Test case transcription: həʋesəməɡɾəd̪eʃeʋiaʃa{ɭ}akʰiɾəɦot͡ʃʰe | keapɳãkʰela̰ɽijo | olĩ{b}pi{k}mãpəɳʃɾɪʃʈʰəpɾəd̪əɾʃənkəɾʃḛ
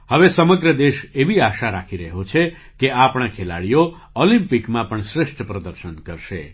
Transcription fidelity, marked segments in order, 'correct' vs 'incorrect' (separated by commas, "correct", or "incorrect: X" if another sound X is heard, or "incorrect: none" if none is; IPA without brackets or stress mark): incorrect: ɾ, incorrect: m, correct